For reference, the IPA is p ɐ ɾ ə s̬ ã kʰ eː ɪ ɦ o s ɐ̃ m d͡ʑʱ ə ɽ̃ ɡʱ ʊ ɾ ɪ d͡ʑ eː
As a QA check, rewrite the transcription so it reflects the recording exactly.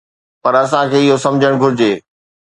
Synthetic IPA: p ɐ ɾ ɐ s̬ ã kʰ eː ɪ ɦ o s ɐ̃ m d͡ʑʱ ə ɽ̃ ɡʱ ʊ ɾ ɪ d͡ʑ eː